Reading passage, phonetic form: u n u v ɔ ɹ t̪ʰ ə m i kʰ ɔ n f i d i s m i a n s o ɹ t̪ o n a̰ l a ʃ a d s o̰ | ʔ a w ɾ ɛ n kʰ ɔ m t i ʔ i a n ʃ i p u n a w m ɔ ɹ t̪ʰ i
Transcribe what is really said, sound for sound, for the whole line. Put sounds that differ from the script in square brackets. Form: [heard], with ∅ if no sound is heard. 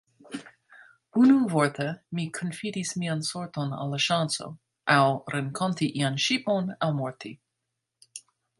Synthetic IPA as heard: u n u v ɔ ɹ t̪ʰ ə m i kʰ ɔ n f i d i s m i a n s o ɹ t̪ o n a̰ l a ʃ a [n] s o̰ | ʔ a w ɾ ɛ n kʰ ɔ [n] t i ʔ i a n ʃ i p [o] n a w m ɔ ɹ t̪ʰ i